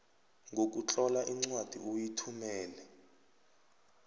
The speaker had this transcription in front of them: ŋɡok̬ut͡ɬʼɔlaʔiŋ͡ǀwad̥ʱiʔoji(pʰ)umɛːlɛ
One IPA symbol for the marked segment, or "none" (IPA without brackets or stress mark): tʰ